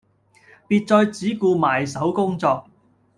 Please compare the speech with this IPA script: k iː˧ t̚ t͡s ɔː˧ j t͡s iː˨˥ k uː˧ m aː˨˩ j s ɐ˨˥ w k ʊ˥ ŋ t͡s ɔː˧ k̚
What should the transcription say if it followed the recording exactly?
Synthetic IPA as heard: p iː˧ t̚ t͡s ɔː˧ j t͡s iː˨˥ k uː˧ m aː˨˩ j s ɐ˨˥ w k ʊ˥ ŋ t͡s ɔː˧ k̚